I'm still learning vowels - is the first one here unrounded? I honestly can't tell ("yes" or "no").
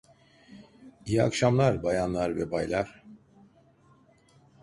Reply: yes